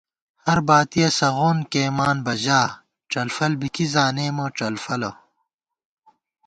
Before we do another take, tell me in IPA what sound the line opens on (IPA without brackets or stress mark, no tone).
h